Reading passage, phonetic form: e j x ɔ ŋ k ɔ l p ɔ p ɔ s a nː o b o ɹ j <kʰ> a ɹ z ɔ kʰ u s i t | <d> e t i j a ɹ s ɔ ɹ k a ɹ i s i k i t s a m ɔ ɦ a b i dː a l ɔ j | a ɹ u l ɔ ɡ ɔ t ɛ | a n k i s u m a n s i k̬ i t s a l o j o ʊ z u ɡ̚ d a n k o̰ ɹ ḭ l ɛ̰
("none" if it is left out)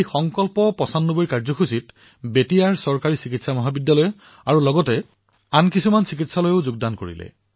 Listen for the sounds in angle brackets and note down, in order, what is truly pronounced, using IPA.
k, b

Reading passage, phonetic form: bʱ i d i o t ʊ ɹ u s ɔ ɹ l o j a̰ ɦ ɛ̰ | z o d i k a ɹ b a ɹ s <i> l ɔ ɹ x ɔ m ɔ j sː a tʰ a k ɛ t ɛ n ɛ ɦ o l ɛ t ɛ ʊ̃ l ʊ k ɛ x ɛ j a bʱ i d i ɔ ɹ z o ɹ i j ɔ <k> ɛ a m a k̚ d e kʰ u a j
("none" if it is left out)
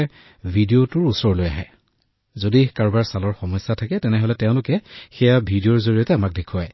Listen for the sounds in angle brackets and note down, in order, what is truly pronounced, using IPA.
a, t

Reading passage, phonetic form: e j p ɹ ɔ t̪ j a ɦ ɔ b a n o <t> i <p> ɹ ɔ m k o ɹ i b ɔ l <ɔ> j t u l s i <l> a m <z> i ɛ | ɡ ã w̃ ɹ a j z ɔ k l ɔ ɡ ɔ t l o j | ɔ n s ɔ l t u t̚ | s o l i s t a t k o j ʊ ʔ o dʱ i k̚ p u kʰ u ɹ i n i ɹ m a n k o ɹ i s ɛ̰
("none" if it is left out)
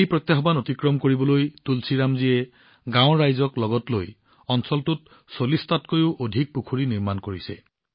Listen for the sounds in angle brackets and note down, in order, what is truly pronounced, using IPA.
t, k, o, ɹ, z

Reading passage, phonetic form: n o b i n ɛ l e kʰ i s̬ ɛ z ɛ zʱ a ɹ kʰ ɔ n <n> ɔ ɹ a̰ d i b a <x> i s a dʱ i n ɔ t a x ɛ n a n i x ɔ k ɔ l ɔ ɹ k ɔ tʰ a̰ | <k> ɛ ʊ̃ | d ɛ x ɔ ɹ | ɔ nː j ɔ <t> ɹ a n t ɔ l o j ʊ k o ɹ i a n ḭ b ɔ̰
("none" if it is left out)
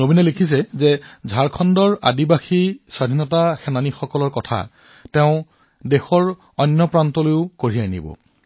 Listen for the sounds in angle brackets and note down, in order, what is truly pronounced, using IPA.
d, x, t, p

